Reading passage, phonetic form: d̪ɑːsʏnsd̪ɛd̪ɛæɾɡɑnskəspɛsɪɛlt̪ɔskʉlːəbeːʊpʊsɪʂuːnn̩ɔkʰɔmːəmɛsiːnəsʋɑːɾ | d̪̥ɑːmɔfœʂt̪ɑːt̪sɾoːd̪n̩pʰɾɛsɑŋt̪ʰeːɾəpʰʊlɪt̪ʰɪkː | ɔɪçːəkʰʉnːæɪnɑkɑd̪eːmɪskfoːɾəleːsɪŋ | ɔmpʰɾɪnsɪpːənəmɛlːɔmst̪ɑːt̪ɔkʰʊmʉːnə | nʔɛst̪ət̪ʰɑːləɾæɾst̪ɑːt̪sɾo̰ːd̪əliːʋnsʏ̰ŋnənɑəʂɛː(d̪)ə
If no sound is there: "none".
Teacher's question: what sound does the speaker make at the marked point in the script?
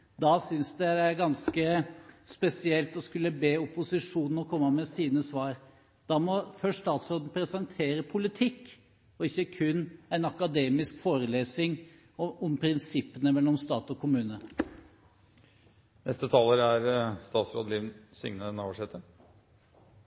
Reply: t̪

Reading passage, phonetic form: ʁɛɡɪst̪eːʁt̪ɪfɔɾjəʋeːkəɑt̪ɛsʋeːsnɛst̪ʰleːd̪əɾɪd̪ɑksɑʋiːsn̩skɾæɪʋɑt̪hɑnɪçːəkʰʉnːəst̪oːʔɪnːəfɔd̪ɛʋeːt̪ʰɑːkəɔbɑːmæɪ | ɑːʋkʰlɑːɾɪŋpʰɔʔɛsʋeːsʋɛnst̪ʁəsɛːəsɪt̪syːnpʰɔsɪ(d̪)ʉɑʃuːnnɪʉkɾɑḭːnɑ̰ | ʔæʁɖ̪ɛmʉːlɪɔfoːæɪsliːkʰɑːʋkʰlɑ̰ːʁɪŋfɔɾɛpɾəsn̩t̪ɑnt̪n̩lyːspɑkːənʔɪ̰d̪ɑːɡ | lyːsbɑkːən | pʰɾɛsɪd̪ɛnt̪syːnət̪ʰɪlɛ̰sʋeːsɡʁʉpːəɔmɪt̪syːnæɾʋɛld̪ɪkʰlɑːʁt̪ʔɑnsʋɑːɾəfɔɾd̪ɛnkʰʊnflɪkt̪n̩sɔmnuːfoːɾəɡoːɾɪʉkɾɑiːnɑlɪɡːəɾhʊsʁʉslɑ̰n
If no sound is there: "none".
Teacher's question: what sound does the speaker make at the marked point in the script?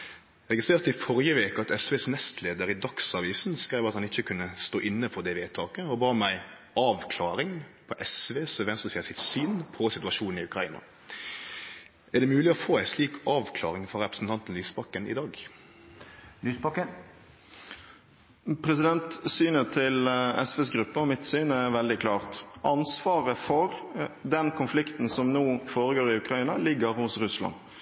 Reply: t̪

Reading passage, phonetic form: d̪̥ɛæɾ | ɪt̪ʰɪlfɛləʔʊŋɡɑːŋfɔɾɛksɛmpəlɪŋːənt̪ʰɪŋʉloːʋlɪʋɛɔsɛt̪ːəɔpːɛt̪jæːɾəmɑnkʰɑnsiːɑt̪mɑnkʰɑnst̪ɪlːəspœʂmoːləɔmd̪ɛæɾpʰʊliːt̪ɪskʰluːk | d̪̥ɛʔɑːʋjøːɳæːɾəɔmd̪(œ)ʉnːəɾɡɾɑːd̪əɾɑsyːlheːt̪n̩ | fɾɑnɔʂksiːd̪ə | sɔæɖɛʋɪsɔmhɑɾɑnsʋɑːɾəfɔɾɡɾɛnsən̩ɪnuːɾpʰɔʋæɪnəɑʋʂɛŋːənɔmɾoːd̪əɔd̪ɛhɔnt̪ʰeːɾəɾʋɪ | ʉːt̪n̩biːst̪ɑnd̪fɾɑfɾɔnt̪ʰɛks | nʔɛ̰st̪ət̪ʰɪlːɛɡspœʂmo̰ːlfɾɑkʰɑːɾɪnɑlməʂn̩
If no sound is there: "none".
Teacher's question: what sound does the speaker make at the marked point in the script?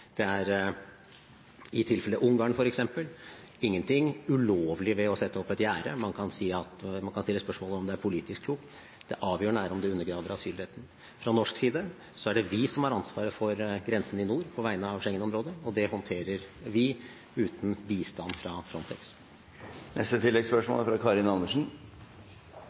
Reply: ɛ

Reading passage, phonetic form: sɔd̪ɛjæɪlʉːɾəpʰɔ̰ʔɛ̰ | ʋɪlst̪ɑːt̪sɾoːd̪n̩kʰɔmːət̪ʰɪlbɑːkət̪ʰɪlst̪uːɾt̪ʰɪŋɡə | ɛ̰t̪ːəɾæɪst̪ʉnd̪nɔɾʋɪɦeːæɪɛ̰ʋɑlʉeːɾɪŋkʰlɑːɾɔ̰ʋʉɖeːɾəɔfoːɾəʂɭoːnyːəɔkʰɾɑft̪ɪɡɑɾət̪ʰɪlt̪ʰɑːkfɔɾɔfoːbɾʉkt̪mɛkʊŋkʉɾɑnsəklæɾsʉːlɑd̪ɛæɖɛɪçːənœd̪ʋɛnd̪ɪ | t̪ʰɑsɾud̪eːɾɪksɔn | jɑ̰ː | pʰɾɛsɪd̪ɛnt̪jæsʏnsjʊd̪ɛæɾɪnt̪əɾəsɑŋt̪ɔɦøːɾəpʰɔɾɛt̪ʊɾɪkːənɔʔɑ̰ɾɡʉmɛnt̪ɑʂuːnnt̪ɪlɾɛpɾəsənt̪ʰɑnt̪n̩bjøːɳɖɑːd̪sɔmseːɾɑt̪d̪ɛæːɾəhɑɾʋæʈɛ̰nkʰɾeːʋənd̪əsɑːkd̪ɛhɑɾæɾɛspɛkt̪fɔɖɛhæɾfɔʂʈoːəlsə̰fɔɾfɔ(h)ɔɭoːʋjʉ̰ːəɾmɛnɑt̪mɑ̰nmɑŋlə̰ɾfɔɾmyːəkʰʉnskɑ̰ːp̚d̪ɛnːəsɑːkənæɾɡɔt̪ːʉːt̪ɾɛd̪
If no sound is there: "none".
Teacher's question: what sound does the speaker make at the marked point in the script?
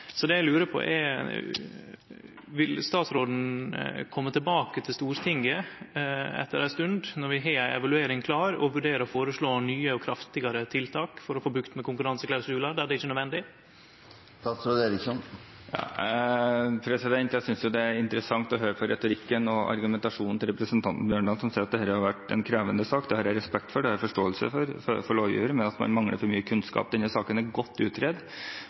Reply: f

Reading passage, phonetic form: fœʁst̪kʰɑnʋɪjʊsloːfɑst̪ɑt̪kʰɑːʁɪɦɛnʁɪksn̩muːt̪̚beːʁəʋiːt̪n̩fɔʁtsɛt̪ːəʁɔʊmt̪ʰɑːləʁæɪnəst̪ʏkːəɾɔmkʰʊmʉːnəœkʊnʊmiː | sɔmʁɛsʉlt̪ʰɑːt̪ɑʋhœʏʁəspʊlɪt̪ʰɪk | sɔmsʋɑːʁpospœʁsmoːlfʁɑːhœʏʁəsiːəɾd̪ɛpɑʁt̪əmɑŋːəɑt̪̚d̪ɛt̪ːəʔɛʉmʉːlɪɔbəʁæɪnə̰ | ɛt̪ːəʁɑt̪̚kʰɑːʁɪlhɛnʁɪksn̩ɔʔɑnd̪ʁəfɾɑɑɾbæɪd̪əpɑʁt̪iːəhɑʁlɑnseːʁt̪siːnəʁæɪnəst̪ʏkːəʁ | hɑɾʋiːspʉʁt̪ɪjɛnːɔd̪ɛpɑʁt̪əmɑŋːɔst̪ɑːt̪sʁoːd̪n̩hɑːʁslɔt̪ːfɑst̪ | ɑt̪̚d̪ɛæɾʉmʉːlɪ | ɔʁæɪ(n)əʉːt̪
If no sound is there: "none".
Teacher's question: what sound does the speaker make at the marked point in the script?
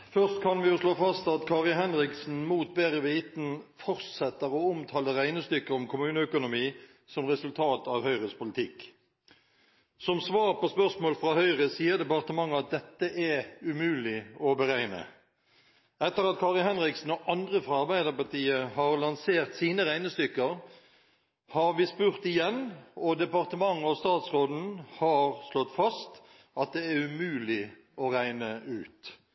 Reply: n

